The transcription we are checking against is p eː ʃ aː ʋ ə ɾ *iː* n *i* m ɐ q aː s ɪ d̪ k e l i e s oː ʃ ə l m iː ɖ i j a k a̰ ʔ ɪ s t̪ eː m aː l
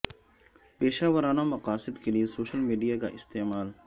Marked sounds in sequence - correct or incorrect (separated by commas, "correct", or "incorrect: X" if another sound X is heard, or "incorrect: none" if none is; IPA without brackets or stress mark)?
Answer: incorrect: aː, incorrect: a